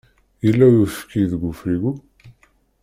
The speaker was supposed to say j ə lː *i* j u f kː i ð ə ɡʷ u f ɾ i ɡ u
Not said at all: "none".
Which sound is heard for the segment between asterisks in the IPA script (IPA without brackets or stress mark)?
æ